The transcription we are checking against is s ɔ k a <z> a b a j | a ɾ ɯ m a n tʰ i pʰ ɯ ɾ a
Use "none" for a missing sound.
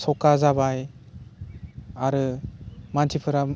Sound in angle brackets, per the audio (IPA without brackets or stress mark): z